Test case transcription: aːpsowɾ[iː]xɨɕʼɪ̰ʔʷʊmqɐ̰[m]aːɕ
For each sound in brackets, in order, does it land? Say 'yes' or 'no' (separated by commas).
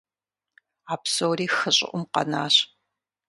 yes, no